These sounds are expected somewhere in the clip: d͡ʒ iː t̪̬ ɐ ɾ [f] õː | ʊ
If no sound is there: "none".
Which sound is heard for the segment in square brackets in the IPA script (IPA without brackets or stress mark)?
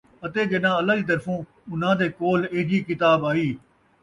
f